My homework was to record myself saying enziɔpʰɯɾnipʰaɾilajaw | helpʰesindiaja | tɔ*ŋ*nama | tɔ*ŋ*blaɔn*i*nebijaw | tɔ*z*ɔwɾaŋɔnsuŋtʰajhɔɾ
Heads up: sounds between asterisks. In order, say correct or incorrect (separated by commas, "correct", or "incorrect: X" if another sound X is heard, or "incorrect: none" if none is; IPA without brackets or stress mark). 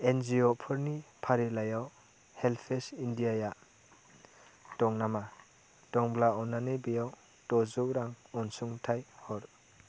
correct, correct, incorrect: a, correct